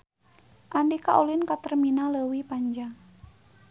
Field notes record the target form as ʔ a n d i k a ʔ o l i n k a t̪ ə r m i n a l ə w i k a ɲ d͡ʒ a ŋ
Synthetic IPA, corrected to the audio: ʔ a n d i k a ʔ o l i n k a t̪ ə r m i n a l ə w i p a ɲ d͡ʒ a ŋ